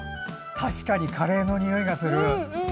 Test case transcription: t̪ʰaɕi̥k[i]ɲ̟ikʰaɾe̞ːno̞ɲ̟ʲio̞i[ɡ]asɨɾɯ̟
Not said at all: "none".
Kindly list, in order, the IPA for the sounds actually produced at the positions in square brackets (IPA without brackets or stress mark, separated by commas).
a, ɡ